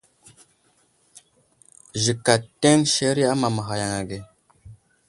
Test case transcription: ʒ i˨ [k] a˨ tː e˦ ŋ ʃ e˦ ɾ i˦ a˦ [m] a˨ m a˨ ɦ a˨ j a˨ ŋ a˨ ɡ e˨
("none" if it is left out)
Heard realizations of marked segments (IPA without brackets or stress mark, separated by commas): k, m